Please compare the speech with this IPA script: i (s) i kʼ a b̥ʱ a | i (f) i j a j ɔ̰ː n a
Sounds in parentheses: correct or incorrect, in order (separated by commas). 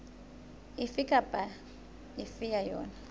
incorrect, correct